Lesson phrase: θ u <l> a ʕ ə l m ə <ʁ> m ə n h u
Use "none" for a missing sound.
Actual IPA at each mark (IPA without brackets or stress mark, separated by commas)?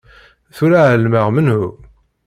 ɾ, ʁ